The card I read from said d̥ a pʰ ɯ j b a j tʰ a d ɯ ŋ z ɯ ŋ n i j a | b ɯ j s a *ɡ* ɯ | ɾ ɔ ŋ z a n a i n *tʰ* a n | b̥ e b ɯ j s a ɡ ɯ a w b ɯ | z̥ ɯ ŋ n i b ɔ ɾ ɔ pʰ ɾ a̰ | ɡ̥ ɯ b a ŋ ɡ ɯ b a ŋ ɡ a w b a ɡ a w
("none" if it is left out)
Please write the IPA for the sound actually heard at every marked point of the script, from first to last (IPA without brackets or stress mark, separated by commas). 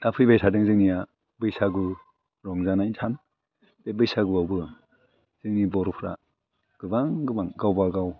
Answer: ɡ, tʰ